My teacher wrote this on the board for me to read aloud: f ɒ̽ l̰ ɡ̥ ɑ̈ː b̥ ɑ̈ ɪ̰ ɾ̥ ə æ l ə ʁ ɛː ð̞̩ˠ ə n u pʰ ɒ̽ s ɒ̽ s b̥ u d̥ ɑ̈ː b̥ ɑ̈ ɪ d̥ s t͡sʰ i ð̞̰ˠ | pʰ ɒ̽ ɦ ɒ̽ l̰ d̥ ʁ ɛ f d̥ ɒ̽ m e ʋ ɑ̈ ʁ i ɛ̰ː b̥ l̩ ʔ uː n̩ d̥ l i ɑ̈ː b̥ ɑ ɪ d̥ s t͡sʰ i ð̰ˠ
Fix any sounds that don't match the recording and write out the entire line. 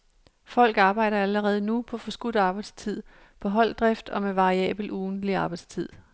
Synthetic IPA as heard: f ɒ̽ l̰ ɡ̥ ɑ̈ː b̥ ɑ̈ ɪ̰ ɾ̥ ɐ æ l ə ʁ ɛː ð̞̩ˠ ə n u pʰ ɒ̽ f ɒ̽ s ɡ̥ u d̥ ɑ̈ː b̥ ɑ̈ ɪ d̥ s t͡sʰ i ð̞̰ˠ | pʰ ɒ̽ ɦ ɒ̽ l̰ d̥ ʁ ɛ f d̥ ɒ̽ m e ʋ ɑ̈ ʁ i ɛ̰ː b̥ l̩ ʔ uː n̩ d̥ l i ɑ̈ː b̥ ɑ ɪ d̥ s t͡sʰ i ð̰ˠ